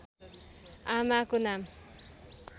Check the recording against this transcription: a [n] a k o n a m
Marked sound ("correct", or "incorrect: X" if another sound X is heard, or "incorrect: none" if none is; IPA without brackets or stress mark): incorrect: m